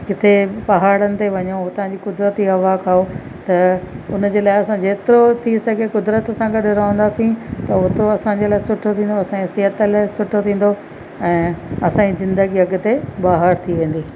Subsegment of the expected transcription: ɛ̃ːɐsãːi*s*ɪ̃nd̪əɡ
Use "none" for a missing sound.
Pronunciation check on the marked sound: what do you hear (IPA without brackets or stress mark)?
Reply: z